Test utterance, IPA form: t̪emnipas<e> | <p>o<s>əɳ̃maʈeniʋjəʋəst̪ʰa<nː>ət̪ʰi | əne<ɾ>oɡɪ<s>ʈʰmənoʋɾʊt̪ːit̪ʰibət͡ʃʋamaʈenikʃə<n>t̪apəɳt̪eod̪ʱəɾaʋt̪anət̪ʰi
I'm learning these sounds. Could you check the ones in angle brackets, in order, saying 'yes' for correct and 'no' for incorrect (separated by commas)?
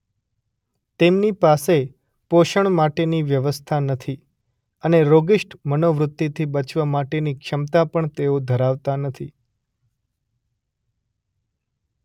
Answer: yes, yes, no, no, yes, no, no